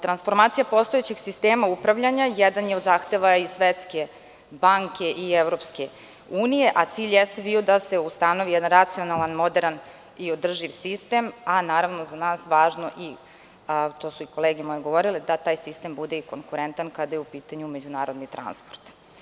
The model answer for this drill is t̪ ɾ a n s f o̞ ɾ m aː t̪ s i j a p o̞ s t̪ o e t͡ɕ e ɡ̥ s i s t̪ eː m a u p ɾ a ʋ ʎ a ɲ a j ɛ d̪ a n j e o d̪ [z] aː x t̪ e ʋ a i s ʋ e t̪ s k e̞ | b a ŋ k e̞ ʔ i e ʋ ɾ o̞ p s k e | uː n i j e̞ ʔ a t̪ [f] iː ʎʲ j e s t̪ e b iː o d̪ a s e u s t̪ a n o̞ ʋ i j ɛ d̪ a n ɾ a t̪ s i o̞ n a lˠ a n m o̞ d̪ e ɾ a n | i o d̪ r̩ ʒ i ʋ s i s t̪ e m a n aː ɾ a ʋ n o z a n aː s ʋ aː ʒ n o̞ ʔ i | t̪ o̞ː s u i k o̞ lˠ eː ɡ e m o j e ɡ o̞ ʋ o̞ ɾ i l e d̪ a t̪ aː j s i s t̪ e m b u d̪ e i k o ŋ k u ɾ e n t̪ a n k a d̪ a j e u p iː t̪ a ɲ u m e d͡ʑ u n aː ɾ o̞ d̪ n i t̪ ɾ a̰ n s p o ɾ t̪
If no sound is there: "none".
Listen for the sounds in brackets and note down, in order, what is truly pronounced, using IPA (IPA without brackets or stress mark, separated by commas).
z, s